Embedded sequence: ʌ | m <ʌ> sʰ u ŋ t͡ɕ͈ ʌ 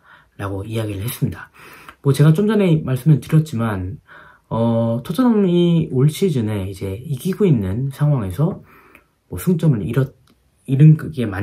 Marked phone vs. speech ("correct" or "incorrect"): correct